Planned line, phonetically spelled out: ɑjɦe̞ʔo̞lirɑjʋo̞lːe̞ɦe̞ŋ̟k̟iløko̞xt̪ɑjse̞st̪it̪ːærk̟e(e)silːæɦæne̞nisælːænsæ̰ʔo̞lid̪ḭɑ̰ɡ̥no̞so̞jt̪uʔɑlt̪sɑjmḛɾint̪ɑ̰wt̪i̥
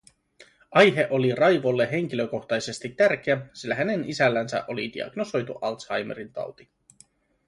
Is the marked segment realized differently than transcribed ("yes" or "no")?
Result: yes